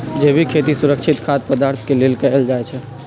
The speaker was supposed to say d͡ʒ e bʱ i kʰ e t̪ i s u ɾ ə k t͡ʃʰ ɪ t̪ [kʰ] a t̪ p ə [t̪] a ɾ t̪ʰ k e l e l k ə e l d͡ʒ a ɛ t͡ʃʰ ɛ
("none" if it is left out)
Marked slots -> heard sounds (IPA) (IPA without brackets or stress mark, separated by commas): kʰ, d̪